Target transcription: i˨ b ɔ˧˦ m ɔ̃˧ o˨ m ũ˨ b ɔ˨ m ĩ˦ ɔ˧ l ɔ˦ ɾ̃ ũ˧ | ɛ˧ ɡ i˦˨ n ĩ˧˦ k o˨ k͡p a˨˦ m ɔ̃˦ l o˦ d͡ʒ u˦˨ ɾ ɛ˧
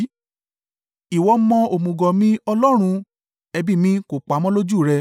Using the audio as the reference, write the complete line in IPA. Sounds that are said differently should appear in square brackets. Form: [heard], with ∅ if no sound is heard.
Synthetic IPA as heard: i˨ [w] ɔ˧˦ m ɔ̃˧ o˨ m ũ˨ [ɡ] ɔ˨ m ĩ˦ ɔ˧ l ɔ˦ ɾ̃ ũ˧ | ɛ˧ [b] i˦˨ [m] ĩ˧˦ k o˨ k͡p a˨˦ m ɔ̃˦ l o˦ d͡ʒ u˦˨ ɾ ɛ˧